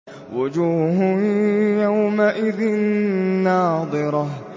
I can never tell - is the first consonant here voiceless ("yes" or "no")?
no